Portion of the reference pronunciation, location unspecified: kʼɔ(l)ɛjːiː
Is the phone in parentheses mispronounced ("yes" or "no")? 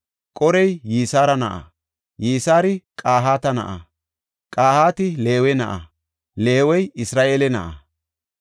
yes